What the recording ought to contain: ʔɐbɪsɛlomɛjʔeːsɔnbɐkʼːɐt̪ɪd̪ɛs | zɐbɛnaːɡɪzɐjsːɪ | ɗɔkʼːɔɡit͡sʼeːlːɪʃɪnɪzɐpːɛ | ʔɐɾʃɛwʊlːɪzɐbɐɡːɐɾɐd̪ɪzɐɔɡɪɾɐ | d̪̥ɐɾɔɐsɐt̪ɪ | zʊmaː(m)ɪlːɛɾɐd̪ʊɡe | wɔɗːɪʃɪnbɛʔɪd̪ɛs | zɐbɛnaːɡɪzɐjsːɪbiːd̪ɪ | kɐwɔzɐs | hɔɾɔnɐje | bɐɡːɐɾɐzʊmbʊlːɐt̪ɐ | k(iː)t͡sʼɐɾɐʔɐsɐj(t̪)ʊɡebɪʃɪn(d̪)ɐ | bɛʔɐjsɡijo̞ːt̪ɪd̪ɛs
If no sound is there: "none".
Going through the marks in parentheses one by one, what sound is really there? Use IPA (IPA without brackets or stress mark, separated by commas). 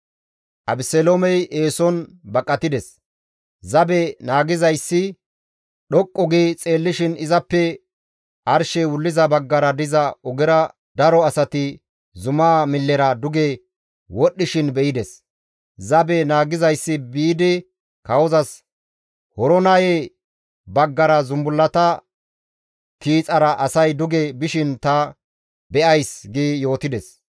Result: m, iː, d̪, t̪